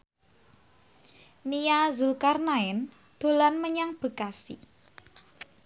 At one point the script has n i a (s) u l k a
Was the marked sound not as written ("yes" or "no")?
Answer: yes